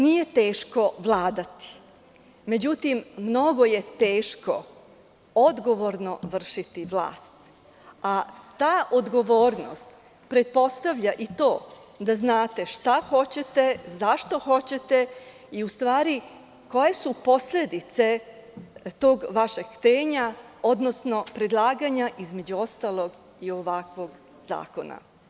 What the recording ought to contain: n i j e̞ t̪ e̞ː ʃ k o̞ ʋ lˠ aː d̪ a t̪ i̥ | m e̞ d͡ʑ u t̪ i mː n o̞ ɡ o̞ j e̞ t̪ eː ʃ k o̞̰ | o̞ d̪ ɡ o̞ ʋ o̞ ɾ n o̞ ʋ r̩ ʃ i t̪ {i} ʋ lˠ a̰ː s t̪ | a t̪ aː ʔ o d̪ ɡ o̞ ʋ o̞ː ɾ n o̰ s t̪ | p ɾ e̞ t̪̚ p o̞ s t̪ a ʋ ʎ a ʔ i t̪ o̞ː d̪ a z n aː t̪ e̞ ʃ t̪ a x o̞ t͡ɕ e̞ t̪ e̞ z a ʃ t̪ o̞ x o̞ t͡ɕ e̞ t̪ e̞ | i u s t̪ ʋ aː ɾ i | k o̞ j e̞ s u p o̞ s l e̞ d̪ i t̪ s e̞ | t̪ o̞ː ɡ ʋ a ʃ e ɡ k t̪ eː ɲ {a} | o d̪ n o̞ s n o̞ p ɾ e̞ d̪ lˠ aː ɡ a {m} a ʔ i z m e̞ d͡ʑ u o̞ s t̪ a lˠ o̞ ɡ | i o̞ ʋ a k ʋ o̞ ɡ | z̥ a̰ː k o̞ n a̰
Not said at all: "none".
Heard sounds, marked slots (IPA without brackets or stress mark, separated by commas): i, a, ɲ